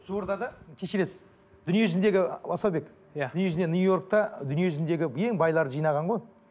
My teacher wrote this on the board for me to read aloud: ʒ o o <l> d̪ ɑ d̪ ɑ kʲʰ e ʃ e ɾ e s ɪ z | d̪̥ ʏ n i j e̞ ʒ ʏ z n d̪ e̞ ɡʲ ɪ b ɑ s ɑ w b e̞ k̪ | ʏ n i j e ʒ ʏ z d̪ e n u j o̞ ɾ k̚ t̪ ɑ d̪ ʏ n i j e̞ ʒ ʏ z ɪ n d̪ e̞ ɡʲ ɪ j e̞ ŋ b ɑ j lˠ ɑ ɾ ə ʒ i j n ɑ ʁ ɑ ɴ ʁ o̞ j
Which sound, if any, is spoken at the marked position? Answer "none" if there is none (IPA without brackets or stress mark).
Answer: ɾ